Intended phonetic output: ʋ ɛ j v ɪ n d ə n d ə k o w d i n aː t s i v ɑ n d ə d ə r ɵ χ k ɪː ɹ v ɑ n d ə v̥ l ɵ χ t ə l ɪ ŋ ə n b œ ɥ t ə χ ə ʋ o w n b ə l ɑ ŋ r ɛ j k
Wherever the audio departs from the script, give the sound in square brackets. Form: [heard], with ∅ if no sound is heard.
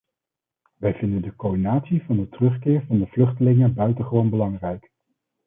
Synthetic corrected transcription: ʋ ɛ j v ɪ n d ə n d ə k o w d i n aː t s i v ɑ n d ə [t] ə r ɵ χ k ɪː ɹ v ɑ n d ə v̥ l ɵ χ t ə l ɪ ŋ ə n b œ ɥ t ə χ ə ʋ o w n b ə l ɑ ŋ r ɛ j k